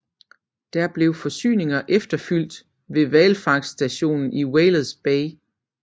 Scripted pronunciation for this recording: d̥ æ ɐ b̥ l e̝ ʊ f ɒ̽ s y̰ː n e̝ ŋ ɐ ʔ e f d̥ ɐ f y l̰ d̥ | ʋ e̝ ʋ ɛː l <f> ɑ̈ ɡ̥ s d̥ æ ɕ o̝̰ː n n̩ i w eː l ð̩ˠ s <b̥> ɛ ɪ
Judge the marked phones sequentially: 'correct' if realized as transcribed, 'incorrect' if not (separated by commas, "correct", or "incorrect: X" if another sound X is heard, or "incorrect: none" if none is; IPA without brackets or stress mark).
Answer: correct, correct